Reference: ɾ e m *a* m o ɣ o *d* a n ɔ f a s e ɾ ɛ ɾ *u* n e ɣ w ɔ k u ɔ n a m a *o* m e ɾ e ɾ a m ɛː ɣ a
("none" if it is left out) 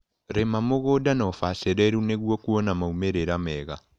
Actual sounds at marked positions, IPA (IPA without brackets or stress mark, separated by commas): a, d, u, u